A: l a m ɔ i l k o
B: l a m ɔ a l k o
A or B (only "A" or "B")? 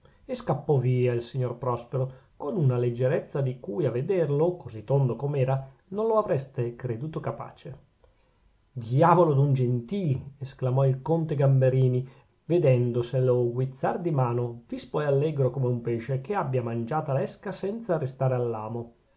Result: A